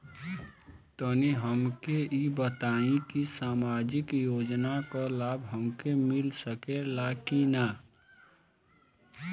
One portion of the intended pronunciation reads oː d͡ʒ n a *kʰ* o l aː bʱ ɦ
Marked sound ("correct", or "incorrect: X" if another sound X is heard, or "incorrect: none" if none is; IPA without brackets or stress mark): incorrect: k